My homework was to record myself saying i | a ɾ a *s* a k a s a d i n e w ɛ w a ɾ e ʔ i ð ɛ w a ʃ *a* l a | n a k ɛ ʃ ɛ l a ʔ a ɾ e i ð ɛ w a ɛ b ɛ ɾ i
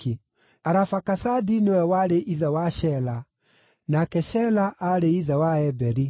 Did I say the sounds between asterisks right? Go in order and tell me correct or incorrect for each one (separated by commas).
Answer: incorrect, incorrect